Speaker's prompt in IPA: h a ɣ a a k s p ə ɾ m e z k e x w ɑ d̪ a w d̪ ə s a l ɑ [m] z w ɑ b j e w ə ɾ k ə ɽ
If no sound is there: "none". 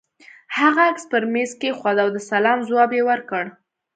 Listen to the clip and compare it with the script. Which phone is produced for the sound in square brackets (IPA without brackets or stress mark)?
m